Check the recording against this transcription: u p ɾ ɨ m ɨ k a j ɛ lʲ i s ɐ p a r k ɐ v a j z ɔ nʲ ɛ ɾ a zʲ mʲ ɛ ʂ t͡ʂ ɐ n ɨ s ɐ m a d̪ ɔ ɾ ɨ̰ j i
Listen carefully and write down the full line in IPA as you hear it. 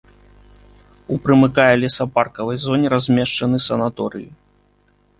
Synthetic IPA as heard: u p ɾ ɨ m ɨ k a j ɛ lʲ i s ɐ p a r k ɐ v ɐ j z ɔ nʲ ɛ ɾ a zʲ mʲ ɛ ʂ t͡ʂ ɐ n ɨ s ɐ n a t̪ ɔ ɾ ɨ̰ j i